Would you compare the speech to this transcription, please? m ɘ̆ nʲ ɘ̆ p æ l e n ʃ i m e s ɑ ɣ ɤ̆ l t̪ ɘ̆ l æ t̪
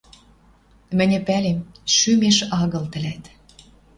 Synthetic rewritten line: m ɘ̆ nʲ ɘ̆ p æ l e m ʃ y m e ʃ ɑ ɣ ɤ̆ l t̪ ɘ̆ l æ t̪